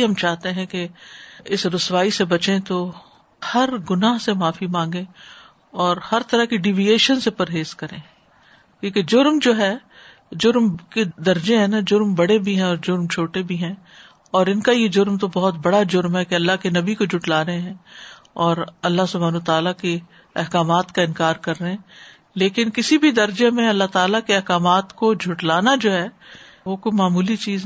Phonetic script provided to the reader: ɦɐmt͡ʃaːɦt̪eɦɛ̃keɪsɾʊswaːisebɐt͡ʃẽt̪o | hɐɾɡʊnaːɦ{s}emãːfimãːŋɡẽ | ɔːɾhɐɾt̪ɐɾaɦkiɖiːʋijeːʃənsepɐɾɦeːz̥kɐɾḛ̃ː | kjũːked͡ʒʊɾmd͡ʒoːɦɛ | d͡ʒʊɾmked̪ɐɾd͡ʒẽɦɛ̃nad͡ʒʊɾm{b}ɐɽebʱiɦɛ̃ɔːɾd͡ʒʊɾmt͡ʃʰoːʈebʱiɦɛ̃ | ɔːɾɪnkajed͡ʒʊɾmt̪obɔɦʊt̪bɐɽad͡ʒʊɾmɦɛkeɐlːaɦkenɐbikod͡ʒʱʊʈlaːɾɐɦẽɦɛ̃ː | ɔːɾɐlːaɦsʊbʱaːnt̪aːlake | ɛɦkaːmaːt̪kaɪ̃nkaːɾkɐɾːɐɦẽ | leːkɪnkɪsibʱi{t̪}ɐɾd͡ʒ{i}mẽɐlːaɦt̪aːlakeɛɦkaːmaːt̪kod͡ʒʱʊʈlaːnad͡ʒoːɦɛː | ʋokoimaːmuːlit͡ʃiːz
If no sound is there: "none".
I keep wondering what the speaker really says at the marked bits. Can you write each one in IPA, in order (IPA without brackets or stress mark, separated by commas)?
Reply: s, b, d̪, e